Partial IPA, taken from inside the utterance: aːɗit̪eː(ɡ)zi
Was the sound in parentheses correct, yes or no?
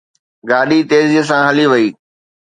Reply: no